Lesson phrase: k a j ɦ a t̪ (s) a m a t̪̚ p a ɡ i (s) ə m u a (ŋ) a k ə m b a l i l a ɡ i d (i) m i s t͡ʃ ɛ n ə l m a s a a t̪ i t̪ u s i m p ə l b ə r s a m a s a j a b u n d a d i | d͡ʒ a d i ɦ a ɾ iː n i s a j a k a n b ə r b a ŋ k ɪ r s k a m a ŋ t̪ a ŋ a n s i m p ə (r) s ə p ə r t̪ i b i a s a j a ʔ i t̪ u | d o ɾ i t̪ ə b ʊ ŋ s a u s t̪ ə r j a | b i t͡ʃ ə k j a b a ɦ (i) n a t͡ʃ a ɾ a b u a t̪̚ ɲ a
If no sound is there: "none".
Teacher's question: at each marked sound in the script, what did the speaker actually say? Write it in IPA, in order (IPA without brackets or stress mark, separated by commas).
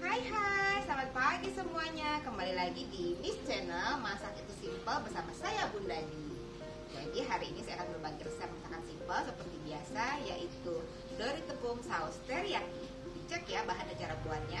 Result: s, s, ɲ, i, l, a